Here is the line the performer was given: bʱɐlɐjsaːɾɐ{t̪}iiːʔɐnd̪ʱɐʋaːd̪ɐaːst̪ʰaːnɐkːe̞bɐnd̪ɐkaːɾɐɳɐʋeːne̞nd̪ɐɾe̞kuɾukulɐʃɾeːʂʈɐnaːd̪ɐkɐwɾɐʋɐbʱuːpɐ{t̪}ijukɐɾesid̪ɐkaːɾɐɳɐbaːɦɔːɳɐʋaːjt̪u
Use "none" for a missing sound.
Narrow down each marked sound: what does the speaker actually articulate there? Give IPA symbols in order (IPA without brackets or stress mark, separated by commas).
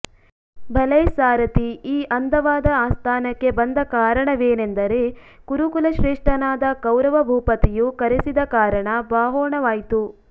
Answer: t̪, t̪